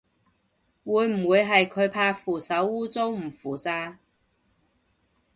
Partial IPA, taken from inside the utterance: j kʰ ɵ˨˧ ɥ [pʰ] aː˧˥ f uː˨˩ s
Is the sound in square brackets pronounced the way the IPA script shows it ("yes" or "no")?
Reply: yes